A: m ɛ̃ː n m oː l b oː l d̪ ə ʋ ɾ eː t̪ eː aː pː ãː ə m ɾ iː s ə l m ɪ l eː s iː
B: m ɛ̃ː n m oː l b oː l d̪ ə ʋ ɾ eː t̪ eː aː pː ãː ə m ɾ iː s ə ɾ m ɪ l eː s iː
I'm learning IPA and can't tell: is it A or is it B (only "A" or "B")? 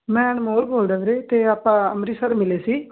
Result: B